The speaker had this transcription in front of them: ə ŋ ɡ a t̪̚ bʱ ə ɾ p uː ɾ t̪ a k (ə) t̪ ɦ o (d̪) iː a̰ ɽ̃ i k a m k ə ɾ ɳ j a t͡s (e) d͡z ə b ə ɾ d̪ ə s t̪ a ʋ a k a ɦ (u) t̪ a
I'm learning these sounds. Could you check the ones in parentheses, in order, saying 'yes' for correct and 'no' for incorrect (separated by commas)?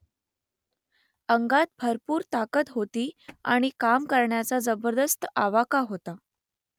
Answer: yes, no, no, no